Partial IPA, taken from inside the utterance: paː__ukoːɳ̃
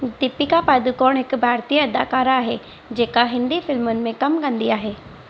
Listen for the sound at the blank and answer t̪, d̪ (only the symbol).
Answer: d̪